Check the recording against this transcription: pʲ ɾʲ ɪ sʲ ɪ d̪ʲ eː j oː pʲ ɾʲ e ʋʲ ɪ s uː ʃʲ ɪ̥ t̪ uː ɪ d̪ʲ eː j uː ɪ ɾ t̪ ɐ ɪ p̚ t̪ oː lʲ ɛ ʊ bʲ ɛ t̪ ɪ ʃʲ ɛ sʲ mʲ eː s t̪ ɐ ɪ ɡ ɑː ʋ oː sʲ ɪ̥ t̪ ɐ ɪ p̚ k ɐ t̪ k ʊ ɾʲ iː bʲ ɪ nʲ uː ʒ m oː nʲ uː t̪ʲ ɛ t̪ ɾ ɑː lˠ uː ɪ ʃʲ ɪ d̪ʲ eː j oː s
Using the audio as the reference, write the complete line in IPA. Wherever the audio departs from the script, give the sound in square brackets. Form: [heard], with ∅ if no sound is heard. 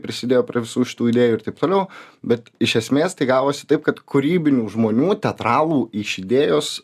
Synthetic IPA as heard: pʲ ɾʲ ɪ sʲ ɪ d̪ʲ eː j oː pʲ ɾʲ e ʋʲ ɪ s uː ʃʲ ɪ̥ t̪ uː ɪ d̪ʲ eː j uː ɪ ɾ t̪ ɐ ɪ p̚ t̪ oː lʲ ɛ ʊ bʲ ɛ t̪ ɪ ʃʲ ɛ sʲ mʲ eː s t̪ ɐ ɪ ɡ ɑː ʋ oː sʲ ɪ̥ t̪ ɐ ɪ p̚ k ɐ t̪ k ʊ ɾʲ iː bʲ ɪ nʲ uː ʒ m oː nʲ uː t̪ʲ ɛ t̪ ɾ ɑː lˠ uː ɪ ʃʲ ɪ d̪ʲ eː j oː s

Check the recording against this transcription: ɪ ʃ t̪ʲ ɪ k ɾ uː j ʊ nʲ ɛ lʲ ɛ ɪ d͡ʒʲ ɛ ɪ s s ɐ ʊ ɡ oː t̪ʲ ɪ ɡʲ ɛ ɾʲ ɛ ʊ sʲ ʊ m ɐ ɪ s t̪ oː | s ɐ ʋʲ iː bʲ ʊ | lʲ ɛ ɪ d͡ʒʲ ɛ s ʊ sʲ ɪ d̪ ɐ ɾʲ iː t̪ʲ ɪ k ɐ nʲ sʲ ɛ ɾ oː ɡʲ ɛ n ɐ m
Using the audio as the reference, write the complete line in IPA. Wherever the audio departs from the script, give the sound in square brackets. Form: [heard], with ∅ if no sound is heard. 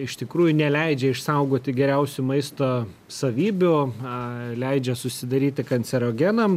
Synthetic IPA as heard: ɪ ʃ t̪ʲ ɪ k ɾ uː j ʊ nʲ ɛ lʲ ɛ ɪ d͡ʒʲ ɛ ɪ [ʃ] s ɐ ʊ ɡ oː t̪ʲ ɪ ɡʲ ɛ ɾʲ ɛ ʊ sʲ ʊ m ɐ ɪ s t̪ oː | s ɐ ʋʲ iː bʲ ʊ | lʲ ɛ ɪ d͡ʒʲ ɛ s ʊ sʲ ɪ d̪ ɐ ɾʲ iː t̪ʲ ɪ k ɐ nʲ sʲ ɛ ɾ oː ɡʲ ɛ n ɐ m

